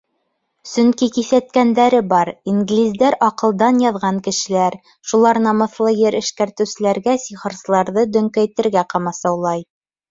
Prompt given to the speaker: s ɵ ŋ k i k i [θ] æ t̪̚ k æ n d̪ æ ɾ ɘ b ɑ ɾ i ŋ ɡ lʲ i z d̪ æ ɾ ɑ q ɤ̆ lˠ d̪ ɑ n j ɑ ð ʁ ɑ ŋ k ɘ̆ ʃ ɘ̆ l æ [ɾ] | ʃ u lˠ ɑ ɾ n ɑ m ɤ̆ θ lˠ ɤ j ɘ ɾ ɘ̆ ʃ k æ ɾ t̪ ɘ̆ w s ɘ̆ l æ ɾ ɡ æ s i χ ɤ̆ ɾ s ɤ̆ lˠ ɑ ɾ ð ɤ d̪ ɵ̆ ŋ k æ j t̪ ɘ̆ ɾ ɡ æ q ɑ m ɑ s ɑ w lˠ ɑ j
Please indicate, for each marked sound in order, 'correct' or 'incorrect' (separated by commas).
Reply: correct, correct